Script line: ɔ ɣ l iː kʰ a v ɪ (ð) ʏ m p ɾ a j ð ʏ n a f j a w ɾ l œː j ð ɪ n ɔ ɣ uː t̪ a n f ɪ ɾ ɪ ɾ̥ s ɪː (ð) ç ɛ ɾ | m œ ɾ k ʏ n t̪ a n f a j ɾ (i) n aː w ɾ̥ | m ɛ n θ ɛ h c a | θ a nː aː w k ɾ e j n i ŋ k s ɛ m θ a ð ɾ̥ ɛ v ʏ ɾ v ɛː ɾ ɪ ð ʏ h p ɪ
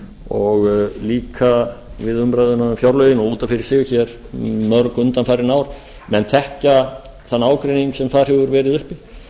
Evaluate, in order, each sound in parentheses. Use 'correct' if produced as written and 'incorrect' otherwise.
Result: correct, incorrect: ɣ, incorrect: ɪ

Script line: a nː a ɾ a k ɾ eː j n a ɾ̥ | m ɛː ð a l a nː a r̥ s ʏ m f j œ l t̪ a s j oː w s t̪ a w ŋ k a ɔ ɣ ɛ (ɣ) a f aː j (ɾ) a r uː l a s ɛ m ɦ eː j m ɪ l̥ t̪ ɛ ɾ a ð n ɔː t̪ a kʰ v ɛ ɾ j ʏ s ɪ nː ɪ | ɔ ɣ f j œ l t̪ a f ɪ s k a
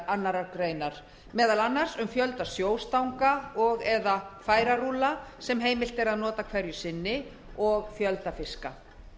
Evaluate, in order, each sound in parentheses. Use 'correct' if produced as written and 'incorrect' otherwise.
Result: incorrect: ð, correct

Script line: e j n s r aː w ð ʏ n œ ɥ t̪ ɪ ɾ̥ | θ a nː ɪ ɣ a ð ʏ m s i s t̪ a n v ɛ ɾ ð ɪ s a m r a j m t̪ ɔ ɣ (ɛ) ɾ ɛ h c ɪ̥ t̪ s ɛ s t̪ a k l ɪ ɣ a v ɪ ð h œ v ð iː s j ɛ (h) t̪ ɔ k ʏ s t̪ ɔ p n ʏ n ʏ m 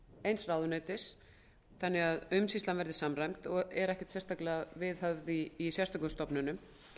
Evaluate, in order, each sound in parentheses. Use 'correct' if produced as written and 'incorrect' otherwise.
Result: correct, incorrect: s

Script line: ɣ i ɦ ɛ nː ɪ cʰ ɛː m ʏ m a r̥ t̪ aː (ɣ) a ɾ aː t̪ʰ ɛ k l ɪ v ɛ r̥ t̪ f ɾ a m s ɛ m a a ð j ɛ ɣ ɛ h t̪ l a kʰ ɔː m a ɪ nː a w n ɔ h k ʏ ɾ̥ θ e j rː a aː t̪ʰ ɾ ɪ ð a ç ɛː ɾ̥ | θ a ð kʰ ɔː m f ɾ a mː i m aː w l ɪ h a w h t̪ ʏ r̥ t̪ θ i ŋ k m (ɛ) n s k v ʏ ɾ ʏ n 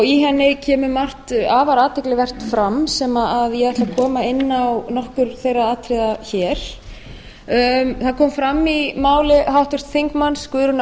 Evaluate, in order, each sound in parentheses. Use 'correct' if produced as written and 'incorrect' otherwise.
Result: incorrect: v, incorrect: a

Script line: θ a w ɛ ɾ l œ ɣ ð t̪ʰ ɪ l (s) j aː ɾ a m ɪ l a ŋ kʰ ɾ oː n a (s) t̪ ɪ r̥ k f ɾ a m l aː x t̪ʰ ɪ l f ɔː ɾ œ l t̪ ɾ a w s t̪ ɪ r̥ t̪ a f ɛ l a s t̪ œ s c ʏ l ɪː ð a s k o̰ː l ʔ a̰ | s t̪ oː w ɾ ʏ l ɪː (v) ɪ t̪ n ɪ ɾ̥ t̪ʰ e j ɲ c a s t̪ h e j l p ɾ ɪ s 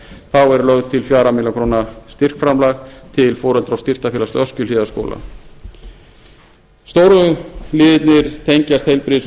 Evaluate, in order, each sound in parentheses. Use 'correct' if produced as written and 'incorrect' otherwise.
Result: incorrect: f, correct, incorrect: ð

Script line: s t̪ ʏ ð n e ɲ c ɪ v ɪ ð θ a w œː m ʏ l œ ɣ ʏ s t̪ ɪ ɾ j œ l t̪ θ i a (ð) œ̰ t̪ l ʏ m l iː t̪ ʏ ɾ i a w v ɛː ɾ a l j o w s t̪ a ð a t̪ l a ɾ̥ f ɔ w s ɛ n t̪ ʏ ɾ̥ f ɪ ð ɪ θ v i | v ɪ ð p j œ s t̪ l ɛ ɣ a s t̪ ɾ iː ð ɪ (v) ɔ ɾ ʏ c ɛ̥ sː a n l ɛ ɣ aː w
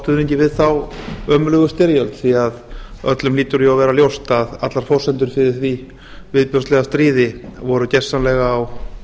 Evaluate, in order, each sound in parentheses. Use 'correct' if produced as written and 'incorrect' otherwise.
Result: correct, correct

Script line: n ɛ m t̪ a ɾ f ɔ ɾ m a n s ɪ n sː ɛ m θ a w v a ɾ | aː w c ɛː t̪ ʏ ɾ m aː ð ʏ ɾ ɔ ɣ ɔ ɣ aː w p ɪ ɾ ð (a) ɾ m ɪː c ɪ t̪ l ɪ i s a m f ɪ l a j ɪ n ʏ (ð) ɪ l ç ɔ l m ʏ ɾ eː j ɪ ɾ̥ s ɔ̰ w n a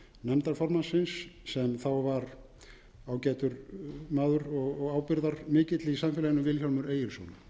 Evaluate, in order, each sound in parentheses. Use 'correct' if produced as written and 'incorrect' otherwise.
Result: correct, incorrect: v

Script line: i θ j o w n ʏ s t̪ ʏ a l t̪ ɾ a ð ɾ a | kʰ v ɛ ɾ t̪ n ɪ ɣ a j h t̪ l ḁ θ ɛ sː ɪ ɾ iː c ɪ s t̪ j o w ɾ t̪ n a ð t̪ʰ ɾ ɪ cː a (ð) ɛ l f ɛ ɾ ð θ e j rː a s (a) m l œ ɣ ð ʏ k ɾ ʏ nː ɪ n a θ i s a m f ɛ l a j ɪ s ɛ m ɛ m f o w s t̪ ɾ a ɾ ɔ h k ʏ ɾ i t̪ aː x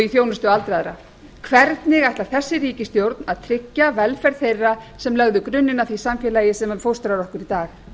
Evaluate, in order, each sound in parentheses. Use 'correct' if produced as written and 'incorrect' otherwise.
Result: incorrect: v, incorrect: ɛ

